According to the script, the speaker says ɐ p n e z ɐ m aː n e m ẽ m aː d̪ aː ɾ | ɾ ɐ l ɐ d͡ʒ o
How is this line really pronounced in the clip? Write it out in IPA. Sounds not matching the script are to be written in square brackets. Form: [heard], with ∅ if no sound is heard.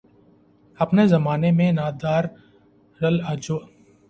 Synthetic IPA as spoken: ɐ p n e z ɐ m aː n e m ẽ [n] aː d̪ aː ɾ | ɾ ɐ l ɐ d͡ʒ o